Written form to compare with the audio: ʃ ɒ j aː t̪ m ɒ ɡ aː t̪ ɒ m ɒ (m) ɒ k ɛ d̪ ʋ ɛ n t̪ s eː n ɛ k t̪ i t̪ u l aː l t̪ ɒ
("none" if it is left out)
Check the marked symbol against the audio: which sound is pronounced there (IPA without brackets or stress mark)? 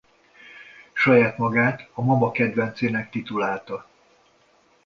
m